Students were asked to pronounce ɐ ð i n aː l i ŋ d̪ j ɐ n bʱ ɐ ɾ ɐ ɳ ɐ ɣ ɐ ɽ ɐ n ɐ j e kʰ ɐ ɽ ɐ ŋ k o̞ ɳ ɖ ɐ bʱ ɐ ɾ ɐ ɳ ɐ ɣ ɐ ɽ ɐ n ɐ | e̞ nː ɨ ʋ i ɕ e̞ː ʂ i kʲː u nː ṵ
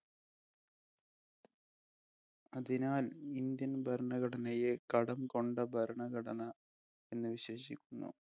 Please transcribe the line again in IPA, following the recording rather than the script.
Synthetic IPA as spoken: ɐ ð i n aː l i n d̪ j ɐ n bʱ ɐ ɾ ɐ ɳ ɐ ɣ ɐ ɽ ɐ n ɐ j e k ɐ ɽ ɐ m k o̞ ɳ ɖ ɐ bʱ ɐ ɾ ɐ ɳ ɐ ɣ ɐ ɽ ɐ n ɐ | e̞ nː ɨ ʋ i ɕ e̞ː ɕ i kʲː u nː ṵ

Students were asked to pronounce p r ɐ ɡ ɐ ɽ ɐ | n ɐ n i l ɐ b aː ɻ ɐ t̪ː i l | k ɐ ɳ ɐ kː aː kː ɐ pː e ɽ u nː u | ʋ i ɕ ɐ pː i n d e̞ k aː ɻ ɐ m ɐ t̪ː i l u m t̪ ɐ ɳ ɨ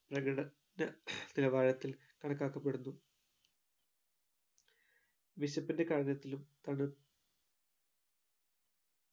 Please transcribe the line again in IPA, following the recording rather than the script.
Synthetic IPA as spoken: p r ɐ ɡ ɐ ɽ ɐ | n ɐ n i l ɐ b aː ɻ ɐ t̪ː i l | k ɐ ɳ ɐ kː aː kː ɐ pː e ɽ u nː u | ʋ i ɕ ɐ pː i n d e̞ k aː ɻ ɐ n ɐ t̪ː i l u m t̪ ɐ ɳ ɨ

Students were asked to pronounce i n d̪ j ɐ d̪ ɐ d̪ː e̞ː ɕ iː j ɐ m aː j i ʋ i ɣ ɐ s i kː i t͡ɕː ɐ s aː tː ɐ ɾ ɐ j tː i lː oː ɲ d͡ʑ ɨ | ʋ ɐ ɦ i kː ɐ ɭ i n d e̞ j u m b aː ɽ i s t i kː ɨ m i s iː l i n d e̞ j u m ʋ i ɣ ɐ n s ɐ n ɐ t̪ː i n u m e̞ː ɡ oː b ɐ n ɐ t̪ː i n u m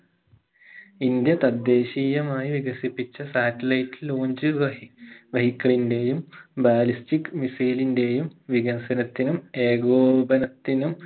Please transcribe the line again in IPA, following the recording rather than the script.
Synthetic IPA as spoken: i n d̪ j ɐ t̪ ɐ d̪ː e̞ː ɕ iː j ɐ m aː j i ʋ i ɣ ɐ s i pː i t͡ɕː ɐ s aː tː ɐ l ɐ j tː i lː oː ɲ d͡ʑ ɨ | ʋ ɐ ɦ i kː ɐ ɭ i n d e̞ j u m b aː l i s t i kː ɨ m i s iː l i n d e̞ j u m ʋ i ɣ ɐ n s ɐ n ɐ t̪ː i n u m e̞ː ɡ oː b ɐ n ɐ t̪ː i n u m

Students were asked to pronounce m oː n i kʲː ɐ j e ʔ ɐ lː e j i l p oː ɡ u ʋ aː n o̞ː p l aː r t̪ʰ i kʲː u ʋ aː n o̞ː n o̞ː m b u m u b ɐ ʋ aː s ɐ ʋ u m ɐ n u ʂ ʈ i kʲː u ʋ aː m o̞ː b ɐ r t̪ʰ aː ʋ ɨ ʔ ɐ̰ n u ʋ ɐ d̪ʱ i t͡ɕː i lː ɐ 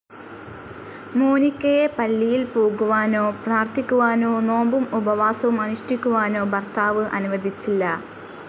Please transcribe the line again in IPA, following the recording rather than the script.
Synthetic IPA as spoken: m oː n i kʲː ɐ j e p ɐ lː i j i l p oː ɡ u ʋ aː n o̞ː p r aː r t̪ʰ i kʲː u ʋ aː n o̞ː n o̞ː m b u m u b ɐ ʋ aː s ɐ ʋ u m ɐ n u ʂ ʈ i kʲː u ʋ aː n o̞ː b ɐ r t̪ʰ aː ʋ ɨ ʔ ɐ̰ n u ʋ ɐ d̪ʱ i t͡ɕː i lː ɐ

